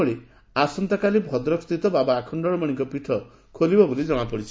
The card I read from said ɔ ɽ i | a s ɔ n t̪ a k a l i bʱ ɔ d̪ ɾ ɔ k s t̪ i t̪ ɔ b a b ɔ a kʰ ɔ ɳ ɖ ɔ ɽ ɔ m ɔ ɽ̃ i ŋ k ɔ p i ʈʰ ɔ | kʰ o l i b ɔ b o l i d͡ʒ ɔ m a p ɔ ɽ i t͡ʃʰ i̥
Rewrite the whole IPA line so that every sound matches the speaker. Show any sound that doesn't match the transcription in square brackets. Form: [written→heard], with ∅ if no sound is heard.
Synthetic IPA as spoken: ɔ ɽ i | a s ɔ n t̪ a k a l i bʱ ɔ d̪ ɾ ɔ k s t̪ i t̪ ɔ b a b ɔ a kʰ ɔ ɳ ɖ ɔ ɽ ɔ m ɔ ɽ̃ i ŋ k ɔ p i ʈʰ ɔ | kʰ o l i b ɔ b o l i d͡ʒ ɔ m a p ɔ ɽ i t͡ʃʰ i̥